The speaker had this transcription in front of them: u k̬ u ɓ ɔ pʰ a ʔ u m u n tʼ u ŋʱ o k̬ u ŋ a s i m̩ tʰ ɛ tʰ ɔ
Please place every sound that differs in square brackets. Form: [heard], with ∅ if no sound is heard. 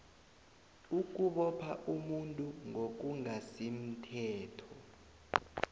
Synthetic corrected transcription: u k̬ u ɓ ɔ pʰ a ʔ u m u n tʼ u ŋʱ o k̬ u ŋ a s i m̩ tʰ [ɛː] tʰ ɔ